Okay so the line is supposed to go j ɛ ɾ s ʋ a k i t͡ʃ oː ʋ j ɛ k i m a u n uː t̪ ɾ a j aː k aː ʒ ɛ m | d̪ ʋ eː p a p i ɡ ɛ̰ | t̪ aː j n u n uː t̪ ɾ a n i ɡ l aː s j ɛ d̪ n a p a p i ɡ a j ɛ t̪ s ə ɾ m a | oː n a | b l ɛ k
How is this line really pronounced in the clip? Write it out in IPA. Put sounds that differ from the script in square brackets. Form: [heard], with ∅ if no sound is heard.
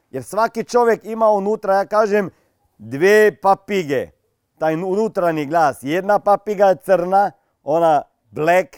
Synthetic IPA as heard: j ɛ ɾ s ʋ a k i t͡ʃ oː ʋ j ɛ k i m a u n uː t̪ ɾ a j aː k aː ʒ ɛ m | d̪ ʋ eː p a p i ɡ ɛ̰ | t̪ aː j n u n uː t̪ ɾ a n i ɡ l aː s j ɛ d̪ n a p a p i ɡ a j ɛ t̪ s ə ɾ [n] a | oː n a | b l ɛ k